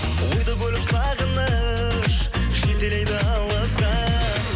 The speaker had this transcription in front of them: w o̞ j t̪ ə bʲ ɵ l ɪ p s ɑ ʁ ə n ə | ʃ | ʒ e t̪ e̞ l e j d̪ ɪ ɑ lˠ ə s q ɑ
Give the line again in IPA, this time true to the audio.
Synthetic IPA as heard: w o̞ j d̪ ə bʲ ɵ l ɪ p s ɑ ʁ ə n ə | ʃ | ʒ e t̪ e̞ l e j d̪ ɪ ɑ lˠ ɑ s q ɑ